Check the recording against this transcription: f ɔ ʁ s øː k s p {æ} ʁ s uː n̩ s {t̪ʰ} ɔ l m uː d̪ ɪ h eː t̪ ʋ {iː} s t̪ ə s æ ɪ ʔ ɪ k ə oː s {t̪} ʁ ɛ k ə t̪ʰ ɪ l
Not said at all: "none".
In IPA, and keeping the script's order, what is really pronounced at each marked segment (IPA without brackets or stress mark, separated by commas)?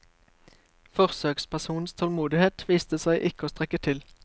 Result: æ, t̪ʰ, iː, t̪